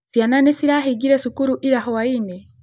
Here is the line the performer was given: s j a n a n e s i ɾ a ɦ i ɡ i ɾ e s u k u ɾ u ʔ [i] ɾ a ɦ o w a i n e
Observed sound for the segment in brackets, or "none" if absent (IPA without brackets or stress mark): i